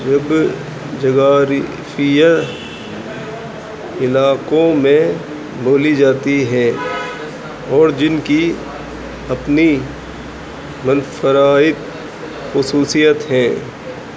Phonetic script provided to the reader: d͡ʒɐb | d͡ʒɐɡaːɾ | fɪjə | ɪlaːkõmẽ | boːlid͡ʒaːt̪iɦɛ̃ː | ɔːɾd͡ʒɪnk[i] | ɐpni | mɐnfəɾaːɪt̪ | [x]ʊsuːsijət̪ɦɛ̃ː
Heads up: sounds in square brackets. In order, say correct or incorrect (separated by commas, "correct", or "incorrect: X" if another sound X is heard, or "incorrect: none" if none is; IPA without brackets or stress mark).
correct, correct